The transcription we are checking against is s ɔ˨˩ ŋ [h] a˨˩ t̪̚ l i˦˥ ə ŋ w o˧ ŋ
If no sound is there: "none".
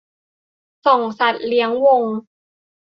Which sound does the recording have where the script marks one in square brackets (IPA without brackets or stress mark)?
s